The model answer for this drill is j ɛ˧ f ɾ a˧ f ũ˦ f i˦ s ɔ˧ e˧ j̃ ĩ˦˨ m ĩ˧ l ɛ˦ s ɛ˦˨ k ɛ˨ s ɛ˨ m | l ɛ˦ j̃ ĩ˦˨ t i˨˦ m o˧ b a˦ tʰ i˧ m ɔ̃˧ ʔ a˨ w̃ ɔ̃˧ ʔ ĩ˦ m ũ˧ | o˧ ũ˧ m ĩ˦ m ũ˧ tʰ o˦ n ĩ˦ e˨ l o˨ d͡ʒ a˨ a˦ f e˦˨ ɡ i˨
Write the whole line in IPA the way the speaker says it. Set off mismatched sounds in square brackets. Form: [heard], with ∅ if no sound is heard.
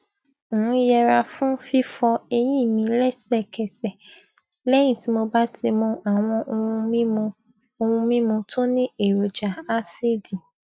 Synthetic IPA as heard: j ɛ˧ [∅] ɾ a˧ f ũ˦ f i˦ [f] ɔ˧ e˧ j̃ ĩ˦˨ m ĩ˧ l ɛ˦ s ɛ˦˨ k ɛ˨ s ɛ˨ [∅] | l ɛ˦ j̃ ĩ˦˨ t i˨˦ m o˧ b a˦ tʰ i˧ m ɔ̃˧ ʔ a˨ w̃ ɔ̃˧ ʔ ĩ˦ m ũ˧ | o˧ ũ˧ m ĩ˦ m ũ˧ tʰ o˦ n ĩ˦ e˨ [ɾ] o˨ d͡ʒ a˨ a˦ [s] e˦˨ [d] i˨